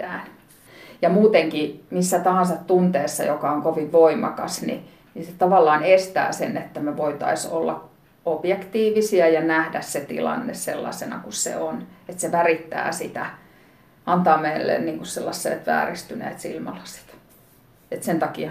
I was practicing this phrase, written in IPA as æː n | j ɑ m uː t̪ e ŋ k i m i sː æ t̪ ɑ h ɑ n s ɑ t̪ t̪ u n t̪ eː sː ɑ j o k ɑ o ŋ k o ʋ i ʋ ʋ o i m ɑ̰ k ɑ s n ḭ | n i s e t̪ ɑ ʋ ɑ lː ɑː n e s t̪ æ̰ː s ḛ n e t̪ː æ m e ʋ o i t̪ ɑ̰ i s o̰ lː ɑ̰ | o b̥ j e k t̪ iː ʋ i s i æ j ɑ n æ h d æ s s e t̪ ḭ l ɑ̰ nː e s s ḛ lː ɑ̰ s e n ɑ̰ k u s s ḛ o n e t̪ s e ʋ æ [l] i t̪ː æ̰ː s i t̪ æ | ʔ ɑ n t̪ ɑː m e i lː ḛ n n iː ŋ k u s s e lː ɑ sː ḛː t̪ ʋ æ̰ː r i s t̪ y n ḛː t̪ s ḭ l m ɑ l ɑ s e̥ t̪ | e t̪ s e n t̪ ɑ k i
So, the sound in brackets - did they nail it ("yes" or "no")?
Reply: no